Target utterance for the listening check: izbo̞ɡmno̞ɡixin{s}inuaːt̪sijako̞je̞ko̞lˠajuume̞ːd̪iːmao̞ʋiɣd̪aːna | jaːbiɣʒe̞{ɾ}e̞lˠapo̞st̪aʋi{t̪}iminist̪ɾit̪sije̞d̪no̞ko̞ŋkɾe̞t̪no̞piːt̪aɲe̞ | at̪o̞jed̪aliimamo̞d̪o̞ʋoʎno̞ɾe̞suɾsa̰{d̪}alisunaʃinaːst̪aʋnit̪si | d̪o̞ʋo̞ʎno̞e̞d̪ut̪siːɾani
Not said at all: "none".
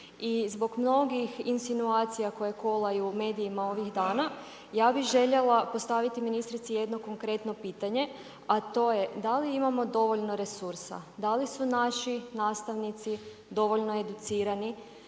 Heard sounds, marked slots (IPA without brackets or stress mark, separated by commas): s, ʎ, t̪, d̪